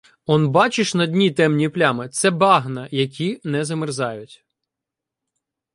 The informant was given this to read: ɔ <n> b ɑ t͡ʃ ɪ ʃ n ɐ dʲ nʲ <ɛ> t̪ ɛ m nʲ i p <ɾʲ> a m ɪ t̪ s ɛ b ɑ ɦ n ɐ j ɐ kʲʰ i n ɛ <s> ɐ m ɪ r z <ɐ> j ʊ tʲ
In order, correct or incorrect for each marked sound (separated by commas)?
correct, incorrect, incorrect, incorrect, incorrect